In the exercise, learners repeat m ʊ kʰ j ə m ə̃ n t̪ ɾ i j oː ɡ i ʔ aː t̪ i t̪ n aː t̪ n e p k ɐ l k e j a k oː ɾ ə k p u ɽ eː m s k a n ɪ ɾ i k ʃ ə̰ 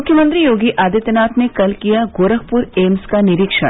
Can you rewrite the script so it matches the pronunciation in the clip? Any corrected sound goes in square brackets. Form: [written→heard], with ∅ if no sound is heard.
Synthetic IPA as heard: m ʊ kʰ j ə m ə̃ n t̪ ɾ i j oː ɡ i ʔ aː [t̪→d̪] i t̪ n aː t̪ n e [p→∅] k ɐ l k [e→i] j a [k→ɡ] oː ɾ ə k p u [ɽ→ɾ] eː m s k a n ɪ ɾ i k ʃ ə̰

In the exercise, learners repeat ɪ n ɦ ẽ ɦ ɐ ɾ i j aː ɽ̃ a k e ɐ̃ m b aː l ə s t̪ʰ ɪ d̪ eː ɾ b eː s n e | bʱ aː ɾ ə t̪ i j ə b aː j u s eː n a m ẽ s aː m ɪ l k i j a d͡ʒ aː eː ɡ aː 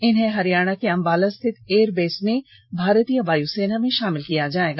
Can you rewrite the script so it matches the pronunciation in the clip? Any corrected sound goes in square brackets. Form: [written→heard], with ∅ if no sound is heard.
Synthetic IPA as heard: ɪ n ɦ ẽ ɦ ɐ ɾ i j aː ɽ̃ a k e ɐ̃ m b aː l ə s t̪ʰ ɪ [d̪→t̪] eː ɾ b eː s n e | bʱ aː ɾ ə t̪ i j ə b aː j u s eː n a m ẽ [s→ʃ] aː m ɪ l k i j a d͡ʒ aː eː ɡ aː

